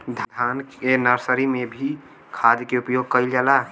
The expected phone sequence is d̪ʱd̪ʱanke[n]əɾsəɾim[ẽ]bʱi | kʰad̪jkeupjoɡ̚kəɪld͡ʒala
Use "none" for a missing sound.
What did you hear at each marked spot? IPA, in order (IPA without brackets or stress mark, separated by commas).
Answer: n, e